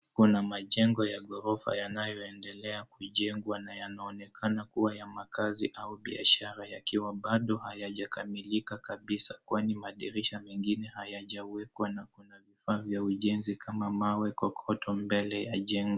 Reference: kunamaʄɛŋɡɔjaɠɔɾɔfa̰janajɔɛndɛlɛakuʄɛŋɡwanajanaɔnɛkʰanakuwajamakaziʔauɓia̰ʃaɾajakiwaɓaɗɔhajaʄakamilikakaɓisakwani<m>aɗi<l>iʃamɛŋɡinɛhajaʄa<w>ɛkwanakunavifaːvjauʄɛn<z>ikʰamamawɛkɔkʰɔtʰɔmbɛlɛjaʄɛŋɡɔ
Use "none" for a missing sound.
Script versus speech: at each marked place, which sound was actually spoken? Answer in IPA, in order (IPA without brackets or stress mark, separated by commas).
m, ɾ, w, z